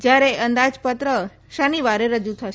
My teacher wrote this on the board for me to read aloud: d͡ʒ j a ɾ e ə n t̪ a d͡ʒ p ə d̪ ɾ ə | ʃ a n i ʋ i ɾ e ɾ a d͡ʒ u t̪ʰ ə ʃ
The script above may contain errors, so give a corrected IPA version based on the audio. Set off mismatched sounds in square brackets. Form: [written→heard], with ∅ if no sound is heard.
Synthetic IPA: d͡ʒ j a ɾ e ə n [t̪→d̪] a d͡ʒ p ə [d̪→t̪] ɾ ə | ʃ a n i ʋ [i→a] ɾ e ɾ [a→ə] d͡ʒ u t̪ʰ ə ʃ